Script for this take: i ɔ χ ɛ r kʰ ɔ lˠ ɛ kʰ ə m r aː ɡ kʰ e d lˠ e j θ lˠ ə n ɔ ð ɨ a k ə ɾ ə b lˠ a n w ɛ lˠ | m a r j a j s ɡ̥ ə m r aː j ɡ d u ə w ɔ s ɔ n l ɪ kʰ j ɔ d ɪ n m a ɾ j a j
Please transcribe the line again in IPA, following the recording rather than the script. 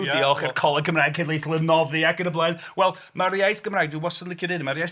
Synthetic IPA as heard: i ɔ χ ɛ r kʰ ɔ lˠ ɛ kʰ ə m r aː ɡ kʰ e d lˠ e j θ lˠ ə n ɔ ð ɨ a k ə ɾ ə b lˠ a n w ɛ lˠ | m a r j a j θ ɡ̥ ə m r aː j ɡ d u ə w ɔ s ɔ n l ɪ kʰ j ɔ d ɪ n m a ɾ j a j